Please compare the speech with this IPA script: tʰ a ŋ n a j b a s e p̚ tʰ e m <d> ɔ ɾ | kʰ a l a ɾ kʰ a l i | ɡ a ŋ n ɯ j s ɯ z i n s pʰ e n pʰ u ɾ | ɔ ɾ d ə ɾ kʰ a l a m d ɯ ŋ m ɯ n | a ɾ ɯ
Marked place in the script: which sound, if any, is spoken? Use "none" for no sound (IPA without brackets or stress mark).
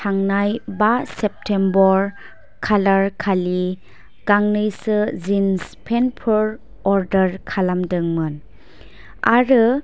b